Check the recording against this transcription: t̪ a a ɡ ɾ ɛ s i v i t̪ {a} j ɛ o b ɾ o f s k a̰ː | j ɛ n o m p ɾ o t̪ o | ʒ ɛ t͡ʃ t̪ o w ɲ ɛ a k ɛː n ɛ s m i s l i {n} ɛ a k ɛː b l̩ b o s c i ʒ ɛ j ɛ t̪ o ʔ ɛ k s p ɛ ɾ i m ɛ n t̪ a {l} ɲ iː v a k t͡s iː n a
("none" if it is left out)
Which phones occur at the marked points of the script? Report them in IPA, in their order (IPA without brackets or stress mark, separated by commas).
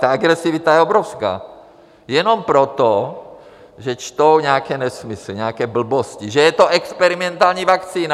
a, ɲ, l